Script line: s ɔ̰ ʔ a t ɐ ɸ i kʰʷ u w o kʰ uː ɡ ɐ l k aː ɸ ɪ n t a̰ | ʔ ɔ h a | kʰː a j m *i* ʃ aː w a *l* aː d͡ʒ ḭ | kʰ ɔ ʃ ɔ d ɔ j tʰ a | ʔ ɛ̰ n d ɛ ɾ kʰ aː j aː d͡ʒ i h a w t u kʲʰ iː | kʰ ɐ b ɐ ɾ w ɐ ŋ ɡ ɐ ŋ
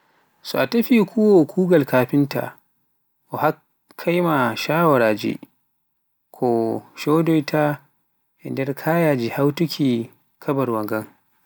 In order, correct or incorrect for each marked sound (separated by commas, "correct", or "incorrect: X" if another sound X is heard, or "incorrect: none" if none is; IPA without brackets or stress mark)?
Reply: incorrect: a, incorrect: ɾ